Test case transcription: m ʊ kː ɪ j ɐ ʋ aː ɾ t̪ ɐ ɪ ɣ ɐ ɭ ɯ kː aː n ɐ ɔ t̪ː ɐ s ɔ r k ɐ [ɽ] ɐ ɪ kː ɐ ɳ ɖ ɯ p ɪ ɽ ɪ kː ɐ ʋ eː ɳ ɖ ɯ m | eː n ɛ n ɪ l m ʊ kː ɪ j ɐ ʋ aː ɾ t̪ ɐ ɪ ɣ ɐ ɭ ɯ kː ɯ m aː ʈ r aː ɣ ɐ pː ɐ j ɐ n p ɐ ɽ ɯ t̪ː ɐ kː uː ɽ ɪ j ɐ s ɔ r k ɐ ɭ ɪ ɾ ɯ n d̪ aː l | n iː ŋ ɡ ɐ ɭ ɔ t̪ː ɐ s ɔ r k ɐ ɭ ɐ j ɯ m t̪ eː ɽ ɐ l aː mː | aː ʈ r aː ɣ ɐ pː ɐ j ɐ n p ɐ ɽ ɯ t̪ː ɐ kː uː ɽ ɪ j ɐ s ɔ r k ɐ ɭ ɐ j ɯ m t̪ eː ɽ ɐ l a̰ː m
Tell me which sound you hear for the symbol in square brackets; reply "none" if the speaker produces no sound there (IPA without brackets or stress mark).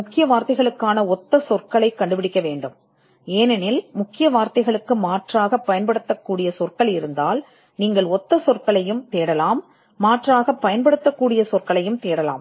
ɭ